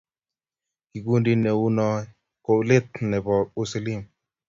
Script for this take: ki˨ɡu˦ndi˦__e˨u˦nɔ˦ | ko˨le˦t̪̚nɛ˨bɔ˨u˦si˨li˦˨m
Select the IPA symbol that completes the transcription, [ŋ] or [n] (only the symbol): n